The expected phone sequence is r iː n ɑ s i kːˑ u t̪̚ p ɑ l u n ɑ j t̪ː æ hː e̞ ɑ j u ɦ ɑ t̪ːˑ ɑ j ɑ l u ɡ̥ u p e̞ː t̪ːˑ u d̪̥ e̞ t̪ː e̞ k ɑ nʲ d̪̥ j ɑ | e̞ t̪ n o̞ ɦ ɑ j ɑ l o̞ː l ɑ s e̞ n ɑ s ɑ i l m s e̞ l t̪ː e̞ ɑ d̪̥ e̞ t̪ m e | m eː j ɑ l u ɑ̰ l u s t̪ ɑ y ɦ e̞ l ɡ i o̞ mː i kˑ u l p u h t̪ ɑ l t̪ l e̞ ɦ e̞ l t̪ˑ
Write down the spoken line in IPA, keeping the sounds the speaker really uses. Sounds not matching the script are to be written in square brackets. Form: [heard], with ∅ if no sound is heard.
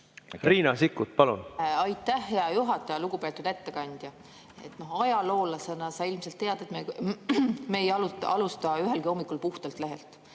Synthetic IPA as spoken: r iː n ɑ s i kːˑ u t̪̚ p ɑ l u n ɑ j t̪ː æ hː e̞ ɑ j u ɦ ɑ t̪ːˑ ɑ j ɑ l u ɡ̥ u p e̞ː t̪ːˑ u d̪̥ e̞ t̪ː e̞ k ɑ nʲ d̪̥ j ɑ | e̞ t̪ n o̞ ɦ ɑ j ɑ l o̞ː l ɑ s e̞ n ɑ s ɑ i l m s e̞ l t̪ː e̞ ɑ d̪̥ e̞ t̪ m e | m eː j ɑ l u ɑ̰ l u s t̪ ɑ y ɦ e̞ l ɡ i o̞ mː i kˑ u l p u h t̪ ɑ l t̪ l e̞ ɦ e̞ l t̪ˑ